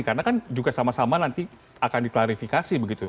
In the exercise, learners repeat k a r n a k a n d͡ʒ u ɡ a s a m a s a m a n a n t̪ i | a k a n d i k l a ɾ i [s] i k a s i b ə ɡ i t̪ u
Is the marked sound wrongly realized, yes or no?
yes